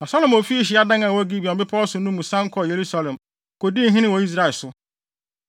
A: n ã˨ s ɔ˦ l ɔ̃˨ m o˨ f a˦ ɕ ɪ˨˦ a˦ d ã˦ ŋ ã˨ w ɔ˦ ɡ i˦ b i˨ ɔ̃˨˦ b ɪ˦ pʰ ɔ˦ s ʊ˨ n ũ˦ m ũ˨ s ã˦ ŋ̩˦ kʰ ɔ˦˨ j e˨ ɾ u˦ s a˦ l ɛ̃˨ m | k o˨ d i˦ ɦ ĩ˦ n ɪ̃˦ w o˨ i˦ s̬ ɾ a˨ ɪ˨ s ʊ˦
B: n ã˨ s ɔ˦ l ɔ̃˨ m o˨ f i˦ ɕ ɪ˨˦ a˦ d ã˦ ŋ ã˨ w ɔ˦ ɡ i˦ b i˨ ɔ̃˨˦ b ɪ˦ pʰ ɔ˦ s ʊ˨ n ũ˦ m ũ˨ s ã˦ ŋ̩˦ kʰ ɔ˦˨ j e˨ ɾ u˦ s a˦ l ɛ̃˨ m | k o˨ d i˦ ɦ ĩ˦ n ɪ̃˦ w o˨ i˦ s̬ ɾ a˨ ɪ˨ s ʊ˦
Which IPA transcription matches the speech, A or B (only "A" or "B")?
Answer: B